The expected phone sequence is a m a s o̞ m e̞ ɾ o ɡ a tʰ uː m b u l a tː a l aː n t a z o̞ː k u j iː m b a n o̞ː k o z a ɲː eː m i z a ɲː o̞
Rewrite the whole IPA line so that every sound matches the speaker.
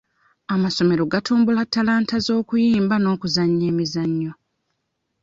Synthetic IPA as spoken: a m a s o̞ m e̞ ɾ o ɡ a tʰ uː m b u l a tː a l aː n t a z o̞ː k u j iː m b a n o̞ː k u z a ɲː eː m i z a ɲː o̞